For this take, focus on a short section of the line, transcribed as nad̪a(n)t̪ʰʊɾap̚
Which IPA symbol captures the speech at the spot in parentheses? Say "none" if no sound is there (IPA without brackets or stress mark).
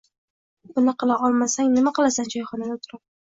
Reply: none